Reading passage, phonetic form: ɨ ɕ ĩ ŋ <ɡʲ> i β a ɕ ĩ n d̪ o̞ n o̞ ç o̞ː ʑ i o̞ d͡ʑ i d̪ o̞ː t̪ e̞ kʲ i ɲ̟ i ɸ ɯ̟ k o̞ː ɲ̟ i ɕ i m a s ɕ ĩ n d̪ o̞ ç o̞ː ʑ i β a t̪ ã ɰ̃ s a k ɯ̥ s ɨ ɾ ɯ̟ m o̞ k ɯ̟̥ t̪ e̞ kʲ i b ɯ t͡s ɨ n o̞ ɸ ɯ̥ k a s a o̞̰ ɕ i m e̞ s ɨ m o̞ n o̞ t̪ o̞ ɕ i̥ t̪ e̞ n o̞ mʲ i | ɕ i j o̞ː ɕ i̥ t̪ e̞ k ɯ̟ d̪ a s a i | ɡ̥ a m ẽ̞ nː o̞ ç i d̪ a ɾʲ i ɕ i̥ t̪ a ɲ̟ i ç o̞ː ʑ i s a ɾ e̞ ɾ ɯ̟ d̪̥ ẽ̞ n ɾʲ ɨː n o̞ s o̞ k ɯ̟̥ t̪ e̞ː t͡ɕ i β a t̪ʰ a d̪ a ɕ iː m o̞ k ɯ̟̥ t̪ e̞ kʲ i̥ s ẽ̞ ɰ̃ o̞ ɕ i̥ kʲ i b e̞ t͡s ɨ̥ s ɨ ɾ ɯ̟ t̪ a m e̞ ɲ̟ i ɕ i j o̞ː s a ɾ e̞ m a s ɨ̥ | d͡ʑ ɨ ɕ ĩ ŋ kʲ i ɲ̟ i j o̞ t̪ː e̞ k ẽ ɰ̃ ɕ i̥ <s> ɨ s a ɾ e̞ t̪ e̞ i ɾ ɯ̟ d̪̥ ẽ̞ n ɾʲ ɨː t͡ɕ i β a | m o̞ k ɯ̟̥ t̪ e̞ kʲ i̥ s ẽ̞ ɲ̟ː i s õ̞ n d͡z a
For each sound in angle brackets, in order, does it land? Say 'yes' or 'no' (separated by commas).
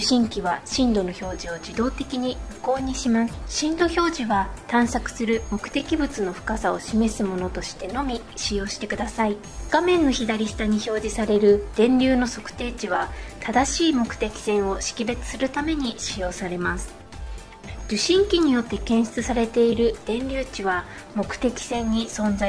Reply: no, no